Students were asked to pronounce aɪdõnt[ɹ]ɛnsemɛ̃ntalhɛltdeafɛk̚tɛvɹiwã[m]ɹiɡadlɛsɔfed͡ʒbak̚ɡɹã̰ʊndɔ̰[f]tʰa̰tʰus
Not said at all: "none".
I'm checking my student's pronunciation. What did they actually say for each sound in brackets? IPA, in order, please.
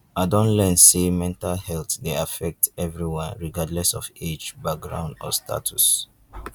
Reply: l, n, s

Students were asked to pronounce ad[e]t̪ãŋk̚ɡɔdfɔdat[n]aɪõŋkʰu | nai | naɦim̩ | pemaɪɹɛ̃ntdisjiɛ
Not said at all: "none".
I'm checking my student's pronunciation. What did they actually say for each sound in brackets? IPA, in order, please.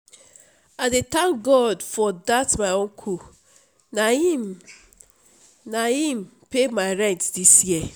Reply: e, m

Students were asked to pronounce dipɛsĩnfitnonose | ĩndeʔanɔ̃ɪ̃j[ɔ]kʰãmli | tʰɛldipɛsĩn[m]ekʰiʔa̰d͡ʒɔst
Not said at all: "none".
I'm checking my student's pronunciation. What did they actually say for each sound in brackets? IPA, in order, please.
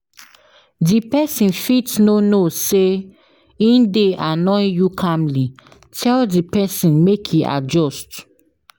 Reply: u, m

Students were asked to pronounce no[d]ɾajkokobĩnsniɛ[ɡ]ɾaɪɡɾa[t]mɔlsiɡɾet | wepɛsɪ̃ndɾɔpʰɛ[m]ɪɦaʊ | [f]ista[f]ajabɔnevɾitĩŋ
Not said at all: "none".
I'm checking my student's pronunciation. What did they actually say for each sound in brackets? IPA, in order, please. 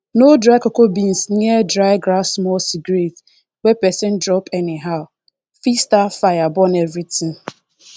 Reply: d, d, s, n, f, f

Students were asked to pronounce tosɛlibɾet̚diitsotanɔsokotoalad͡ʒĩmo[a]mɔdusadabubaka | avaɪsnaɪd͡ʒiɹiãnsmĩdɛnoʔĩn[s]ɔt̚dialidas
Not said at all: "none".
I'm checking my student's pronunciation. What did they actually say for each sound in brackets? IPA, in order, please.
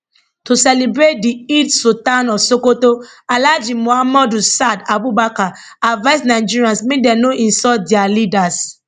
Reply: a, s

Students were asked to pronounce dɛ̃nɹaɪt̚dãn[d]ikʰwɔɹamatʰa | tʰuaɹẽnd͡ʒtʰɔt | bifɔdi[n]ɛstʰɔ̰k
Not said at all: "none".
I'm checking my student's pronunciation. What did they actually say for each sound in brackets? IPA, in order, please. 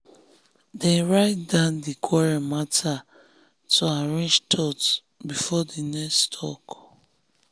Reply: d, n

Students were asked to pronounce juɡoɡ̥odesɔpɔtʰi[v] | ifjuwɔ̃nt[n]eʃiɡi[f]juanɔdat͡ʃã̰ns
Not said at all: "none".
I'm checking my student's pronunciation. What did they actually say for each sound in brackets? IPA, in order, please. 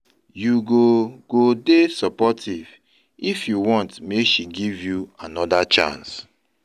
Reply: v, m, v

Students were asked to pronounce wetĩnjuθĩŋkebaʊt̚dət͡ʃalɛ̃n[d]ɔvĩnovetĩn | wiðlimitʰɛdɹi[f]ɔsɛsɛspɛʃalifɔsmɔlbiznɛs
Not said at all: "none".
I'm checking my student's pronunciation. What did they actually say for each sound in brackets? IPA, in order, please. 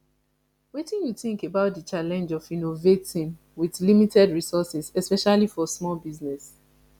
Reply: d͡ʒ, s

